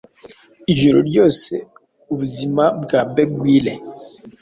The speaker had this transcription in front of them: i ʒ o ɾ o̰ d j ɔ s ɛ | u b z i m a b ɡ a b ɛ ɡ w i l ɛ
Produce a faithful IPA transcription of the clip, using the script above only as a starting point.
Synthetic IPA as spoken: i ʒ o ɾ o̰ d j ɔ s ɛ | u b z i m a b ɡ a b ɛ ɡ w i l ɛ